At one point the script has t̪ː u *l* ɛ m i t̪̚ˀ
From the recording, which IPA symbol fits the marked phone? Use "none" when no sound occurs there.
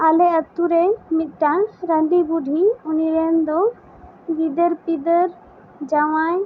ɾ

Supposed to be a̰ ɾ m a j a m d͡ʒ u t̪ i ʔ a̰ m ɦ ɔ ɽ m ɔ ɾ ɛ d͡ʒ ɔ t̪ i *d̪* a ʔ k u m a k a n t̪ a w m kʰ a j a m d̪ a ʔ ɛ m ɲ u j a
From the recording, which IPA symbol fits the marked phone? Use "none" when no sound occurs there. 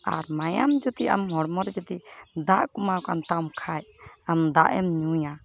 d̪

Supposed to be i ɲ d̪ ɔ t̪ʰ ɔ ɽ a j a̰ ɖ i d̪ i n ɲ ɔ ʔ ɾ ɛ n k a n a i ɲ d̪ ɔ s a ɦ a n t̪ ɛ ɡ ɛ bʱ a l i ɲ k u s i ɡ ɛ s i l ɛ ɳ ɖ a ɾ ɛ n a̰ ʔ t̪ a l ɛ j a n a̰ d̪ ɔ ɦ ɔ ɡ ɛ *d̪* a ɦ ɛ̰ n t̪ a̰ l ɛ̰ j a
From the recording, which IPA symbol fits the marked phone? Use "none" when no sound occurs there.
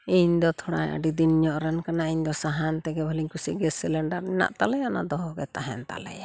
t̪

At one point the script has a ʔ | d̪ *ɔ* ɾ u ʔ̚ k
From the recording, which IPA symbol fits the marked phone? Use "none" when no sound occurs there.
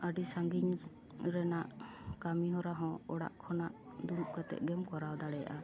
u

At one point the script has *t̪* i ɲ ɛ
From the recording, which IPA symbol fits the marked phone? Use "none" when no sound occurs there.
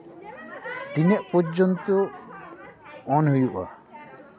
t̪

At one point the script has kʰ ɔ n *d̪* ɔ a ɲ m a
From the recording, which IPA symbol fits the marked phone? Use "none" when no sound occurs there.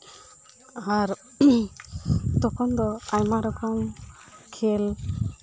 d̪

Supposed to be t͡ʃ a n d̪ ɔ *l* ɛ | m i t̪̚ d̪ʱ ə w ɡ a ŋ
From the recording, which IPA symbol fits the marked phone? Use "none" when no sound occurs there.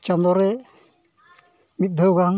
ɾ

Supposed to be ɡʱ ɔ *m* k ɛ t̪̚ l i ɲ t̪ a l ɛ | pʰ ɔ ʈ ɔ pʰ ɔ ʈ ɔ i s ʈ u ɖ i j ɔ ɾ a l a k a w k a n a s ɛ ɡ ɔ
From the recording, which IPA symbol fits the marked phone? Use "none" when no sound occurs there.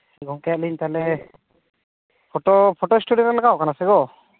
ŋ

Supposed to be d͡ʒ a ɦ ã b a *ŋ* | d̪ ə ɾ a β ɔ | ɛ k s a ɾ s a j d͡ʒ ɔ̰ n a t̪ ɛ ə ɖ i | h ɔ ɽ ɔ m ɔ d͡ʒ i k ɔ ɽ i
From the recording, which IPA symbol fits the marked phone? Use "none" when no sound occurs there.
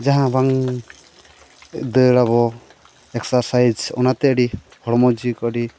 ŋ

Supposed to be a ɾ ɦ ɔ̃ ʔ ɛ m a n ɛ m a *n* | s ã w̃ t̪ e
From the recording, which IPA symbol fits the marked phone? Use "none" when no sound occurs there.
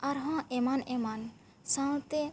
n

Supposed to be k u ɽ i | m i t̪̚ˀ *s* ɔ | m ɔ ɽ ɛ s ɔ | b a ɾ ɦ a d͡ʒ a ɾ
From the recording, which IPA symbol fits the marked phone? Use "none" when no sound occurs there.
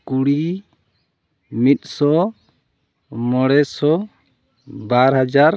s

